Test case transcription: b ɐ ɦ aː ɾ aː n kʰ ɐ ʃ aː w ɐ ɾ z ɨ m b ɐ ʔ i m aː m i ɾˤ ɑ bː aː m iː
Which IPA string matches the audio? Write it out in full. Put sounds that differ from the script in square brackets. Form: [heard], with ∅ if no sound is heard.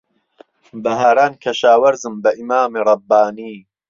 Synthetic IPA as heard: b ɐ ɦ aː ɾ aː n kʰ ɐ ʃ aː w ɐ ɾ z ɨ m b ɐ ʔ i m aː m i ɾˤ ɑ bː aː [n] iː